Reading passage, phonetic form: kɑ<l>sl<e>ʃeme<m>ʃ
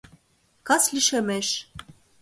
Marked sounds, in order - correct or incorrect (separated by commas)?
incorrect, incorrect, incorrect